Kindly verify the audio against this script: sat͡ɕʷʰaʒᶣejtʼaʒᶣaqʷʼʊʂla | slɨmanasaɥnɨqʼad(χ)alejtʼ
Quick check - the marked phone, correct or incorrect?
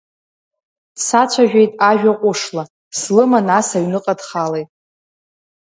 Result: correct